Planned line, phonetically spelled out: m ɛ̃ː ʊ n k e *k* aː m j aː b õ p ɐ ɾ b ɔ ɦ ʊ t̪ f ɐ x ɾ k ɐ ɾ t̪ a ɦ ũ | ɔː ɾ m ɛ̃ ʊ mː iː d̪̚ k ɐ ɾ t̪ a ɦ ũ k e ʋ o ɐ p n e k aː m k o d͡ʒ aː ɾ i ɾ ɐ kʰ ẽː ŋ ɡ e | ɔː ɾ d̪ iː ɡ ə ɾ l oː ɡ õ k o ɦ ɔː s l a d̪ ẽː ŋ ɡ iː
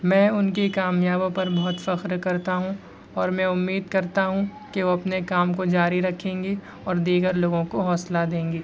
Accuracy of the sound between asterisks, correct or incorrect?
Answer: correct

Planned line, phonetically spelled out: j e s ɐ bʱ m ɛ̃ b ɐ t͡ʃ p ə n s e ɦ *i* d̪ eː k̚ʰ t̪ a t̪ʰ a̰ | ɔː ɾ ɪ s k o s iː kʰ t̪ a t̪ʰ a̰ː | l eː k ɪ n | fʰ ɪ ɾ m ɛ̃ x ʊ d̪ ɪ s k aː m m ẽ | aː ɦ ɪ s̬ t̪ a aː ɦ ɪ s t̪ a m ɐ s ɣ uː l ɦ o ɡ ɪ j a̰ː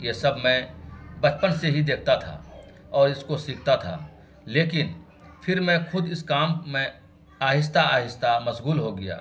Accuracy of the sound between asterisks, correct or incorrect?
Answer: correct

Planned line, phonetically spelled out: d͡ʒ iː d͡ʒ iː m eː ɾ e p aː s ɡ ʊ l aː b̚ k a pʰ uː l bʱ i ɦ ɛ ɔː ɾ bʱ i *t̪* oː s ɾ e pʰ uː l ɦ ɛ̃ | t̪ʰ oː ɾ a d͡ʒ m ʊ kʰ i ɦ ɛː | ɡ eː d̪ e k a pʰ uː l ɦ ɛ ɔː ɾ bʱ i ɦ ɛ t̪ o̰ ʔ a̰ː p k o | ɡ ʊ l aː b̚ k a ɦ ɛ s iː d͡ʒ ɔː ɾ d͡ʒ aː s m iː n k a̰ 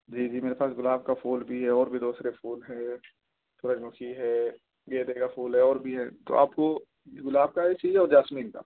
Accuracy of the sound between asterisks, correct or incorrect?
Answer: incorrect: d̪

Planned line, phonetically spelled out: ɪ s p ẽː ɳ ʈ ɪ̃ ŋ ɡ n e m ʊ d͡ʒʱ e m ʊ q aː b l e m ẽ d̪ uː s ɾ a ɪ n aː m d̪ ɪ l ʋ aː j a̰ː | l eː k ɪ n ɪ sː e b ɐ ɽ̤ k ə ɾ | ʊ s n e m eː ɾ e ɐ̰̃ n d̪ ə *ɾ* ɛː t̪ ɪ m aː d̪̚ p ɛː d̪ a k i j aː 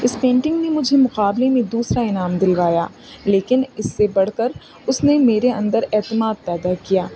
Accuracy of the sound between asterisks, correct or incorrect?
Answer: correct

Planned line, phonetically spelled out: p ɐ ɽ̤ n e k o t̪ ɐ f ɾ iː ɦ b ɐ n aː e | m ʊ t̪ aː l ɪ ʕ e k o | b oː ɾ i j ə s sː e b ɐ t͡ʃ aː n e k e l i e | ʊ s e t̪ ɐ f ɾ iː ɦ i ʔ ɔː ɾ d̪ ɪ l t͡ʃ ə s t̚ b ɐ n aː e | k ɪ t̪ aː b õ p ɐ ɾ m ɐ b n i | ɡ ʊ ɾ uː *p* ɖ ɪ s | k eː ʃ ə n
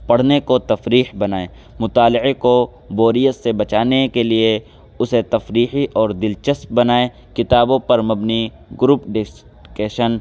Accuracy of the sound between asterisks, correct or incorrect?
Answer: correct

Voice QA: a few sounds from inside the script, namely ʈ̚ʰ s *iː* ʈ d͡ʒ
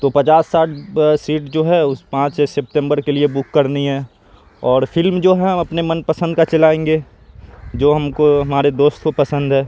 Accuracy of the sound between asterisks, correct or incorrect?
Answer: correct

